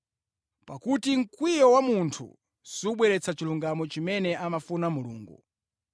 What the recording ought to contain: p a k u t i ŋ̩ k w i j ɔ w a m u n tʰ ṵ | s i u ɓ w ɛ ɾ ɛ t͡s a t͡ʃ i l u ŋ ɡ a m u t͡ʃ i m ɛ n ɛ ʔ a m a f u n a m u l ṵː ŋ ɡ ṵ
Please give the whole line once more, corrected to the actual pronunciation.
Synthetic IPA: p a k u t i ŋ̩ k w i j ɔ w a m u n tʰ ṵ | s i u ɓ w ɛ ɾ ɛ t͡s a t͡ʃ i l u ŋ ɡ a m ɔ t͡ʃ i m ɛ n ɛ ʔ a m a f u n a m u l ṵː ŋ ɡ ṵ